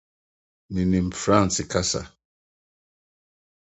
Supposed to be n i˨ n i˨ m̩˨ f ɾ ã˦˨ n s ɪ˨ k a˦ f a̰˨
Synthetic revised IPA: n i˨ n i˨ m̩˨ f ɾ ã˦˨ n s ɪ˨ k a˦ s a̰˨